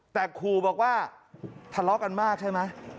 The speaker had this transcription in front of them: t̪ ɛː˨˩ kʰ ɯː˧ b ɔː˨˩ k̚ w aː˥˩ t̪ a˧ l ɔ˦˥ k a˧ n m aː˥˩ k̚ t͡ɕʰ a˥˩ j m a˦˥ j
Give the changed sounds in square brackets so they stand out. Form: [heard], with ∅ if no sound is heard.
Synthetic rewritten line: t̪ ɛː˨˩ kʰ [uː˧] b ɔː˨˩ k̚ w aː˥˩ [t̪ʰ] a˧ l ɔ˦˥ k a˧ n m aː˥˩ k̚ t͡ɕʰ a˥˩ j m a˦˥ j